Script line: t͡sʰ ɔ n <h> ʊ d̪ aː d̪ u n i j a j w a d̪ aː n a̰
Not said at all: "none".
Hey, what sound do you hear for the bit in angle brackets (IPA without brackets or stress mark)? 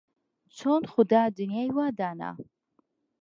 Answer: χ